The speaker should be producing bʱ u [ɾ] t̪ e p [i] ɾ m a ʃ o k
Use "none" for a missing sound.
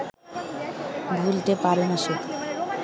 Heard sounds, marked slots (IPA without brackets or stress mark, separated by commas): l, a